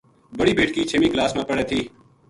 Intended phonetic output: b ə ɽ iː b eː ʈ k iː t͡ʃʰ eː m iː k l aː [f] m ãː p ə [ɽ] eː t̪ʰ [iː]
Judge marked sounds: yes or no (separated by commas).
no, yes, yes